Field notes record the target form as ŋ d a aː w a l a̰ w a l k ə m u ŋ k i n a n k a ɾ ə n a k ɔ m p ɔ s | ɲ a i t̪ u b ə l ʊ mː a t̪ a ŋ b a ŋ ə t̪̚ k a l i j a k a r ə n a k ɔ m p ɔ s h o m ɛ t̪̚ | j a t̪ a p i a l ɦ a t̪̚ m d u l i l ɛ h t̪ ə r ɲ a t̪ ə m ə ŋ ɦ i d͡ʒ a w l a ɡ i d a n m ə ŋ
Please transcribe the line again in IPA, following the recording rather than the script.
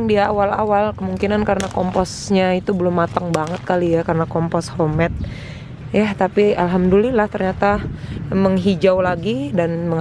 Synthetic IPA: ŋ d i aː w a l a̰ w a l k ə m u ŋ k i n a n k a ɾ ə n a k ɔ m p ɔ s | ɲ a i t̪ u b ə l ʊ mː a t̪ a ŋ b a ŋ ə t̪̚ k a l i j a k a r ə n a k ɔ m p ɔ s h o m ɛ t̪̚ | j a t̪ a p i a l ɦ a m d u l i l a h t̪ ə r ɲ a t̪ a m ə ŋ ɦ i d͡ʒ a w l a ɡ i d a n m ə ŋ